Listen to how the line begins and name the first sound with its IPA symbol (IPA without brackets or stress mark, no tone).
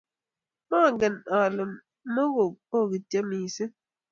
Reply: m